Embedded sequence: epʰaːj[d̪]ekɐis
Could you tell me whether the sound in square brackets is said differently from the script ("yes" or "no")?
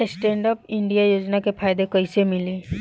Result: no